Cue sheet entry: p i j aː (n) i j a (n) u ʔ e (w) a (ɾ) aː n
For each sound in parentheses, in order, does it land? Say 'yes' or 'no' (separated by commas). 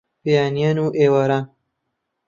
yes, yes, yes, yes